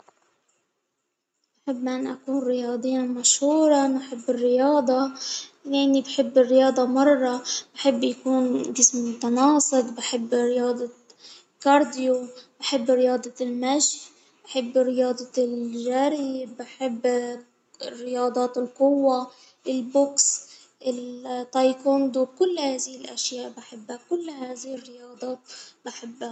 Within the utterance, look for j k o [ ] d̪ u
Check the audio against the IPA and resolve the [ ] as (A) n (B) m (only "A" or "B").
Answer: A